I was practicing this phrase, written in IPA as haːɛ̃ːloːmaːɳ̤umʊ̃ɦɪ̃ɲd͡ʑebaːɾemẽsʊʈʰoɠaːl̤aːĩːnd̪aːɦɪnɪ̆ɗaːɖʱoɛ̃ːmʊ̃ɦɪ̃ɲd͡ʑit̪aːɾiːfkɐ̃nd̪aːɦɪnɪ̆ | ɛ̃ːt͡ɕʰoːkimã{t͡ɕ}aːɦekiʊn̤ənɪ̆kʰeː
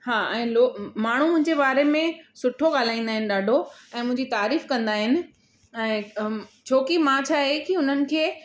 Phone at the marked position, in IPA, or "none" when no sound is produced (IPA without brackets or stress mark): t͡ɕʰ